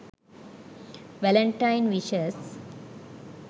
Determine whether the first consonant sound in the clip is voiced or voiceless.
voiced